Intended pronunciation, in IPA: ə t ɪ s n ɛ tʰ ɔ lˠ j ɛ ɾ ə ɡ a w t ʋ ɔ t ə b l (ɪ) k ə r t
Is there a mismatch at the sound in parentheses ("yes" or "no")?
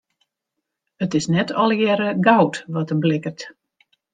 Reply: no